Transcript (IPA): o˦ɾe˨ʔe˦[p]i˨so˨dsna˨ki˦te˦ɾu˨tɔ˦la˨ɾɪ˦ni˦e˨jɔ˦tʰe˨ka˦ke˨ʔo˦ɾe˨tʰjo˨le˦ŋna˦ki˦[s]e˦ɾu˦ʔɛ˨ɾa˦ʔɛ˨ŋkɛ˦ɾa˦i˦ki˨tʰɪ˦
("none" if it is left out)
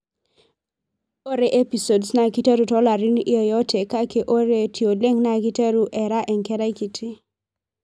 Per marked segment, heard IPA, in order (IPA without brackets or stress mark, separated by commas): p, t